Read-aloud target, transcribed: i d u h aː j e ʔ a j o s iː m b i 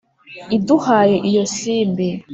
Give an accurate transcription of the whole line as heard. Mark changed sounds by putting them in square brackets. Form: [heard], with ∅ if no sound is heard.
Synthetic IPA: i d u h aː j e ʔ [i] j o s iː m b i